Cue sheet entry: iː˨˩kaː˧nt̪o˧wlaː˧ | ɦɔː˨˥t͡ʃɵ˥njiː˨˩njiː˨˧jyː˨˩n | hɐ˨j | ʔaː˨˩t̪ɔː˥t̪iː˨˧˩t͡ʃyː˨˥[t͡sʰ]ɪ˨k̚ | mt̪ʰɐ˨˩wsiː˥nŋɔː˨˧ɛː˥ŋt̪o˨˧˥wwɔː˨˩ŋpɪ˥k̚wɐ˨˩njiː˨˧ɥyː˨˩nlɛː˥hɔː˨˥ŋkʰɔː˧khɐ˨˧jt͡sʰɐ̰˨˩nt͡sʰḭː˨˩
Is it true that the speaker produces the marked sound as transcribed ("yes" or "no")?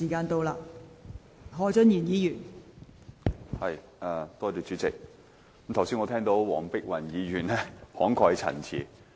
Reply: no